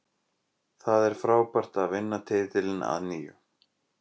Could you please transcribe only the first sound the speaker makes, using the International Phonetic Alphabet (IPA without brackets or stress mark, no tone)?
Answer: θ